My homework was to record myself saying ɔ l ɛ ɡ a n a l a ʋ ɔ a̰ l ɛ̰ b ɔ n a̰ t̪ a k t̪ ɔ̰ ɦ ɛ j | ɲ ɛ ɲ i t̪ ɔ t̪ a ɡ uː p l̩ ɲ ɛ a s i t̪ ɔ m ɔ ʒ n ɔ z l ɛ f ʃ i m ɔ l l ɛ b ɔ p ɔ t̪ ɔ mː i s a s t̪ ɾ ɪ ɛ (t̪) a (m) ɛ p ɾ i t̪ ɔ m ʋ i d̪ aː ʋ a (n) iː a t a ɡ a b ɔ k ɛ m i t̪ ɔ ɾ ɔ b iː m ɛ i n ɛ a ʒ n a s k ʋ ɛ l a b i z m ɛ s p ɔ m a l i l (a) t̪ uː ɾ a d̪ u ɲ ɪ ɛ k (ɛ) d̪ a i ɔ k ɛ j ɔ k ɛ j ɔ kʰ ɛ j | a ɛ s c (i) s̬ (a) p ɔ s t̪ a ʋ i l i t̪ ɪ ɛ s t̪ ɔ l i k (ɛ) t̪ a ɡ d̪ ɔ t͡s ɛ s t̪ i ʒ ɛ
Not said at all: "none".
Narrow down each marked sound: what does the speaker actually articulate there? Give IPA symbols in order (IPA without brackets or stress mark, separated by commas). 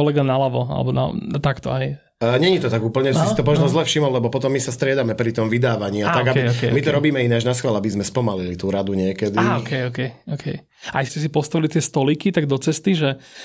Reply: d̪, m, ɲ, i, ɛ, ɛ, i, i